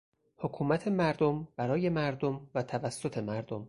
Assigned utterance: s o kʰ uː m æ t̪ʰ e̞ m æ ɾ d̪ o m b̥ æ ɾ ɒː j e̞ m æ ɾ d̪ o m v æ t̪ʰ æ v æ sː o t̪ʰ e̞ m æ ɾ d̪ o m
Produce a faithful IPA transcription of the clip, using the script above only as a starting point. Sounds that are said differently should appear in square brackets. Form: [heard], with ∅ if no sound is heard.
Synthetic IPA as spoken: [h] o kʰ uː m æ t̪ʰ e̞ m æ ɾ d̪ o m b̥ æ ɾ ɒː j e̞ m æ ɾ d̪ o m v æ t̪ʰ æ v æ sː o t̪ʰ e̞ m æ ɾ d̪ o m